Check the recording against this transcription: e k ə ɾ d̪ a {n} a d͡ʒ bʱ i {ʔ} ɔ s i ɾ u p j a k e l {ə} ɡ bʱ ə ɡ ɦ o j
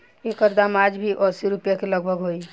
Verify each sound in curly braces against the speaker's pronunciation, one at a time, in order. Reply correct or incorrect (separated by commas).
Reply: incorrect, correct, correct